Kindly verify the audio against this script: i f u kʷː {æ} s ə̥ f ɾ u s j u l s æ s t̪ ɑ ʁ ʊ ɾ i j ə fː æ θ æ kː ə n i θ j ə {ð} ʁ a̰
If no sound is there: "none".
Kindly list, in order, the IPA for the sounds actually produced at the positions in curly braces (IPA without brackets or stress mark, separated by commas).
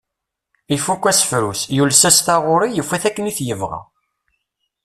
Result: æ, v